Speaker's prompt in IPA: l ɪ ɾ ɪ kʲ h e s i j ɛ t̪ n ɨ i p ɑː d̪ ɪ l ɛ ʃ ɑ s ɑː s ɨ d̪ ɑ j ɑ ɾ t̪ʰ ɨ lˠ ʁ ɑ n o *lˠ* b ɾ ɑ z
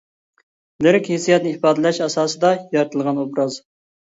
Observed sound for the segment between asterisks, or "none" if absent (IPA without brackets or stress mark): none